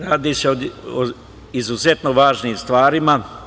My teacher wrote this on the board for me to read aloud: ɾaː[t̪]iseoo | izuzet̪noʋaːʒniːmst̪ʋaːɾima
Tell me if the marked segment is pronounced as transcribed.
no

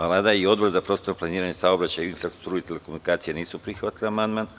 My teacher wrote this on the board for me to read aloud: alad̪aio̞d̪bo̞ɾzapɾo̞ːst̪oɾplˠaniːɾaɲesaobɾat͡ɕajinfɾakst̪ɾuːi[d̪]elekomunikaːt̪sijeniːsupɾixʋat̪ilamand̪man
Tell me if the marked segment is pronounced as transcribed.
no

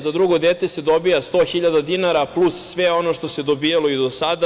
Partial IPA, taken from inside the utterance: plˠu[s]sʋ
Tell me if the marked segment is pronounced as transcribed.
yes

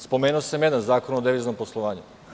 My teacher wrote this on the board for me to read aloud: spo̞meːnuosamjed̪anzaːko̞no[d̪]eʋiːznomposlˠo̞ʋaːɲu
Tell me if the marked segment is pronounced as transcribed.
yes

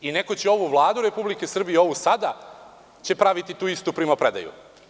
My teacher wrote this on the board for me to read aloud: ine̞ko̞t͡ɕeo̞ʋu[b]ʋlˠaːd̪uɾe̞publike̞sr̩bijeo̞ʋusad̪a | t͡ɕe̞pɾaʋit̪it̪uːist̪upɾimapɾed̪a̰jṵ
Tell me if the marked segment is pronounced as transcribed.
no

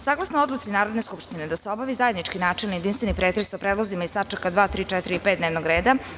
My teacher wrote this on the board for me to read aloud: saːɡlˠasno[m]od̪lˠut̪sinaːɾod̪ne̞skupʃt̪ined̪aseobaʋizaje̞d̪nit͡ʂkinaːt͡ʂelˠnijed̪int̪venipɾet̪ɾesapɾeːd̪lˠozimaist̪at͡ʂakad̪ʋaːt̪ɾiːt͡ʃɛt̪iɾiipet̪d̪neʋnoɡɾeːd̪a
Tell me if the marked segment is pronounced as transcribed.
no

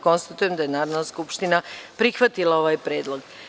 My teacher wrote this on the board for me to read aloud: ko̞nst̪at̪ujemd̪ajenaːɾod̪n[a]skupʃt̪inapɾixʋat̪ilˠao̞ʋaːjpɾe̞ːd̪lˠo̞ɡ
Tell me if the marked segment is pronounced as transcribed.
yes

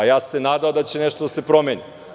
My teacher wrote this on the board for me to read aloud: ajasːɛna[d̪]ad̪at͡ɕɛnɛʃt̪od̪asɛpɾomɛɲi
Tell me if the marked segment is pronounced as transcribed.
yes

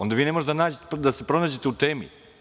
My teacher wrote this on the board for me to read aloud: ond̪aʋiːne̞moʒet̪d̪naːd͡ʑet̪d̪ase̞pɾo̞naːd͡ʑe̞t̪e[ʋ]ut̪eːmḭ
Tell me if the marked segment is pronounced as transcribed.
no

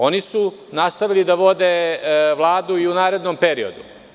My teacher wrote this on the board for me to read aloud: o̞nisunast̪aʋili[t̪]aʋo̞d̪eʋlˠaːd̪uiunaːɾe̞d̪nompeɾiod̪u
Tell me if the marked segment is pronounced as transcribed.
no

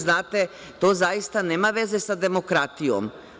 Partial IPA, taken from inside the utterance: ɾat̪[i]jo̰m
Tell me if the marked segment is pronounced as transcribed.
yes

